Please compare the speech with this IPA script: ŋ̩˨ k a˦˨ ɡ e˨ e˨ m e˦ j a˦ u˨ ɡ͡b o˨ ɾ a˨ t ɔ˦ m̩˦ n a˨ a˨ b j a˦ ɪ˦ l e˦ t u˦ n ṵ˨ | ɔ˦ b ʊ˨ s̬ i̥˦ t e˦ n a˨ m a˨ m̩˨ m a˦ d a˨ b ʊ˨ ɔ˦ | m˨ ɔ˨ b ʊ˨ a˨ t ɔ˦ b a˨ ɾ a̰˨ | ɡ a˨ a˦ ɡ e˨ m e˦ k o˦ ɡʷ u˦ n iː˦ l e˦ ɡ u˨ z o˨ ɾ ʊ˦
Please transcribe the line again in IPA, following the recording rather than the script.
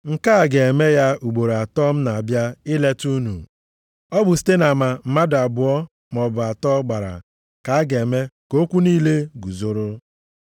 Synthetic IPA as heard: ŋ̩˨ k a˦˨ ɡ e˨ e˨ m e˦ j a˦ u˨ ɡ͡b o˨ ɾ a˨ t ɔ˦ m̩˦ n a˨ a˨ b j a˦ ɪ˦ l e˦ t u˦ n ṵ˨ | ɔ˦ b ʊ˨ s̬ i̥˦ t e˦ n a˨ m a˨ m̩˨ m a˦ d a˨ b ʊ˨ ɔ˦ | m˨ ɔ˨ b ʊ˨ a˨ t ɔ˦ ɡ͡b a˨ ɾ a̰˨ | k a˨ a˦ ɡ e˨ m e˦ k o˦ kʷ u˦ n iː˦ l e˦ ɡ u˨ z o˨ ɾ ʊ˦